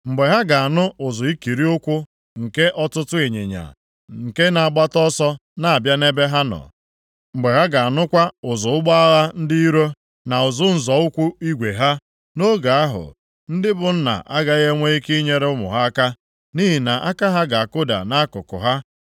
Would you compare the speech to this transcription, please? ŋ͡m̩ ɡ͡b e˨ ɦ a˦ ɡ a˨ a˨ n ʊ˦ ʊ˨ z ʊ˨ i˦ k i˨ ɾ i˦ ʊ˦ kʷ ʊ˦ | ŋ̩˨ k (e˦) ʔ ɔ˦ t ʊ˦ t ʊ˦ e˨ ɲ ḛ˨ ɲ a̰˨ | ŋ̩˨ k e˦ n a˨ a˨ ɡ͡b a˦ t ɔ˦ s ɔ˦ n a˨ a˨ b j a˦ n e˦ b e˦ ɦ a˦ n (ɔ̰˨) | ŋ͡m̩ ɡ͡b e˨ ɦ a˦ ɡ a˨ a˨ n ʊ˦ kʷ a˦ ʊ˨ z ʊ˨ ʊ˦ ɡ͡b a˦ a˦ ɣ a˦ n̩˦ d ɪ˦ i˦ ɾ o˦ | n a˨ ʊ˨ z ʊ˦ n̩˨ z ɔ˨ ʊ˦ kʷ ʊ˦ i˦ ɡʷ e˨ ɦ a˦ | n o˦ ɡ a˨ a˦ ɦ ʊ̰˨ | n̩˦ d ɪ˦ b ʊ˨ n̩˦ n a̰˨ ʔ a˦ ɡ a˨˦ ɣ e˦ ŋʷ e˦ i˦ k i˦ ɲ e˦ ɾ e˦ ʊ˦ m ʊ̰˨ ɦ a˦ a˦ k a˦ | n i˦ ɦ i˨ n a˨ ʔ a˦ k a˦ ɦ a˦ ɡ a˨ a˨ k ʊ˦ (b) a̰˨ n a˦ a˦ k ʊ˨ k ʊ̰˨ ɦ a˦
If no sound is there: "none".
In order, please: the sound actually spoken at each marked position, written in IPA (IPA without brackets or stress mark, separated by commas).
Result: e˦, ɔ̰˨, d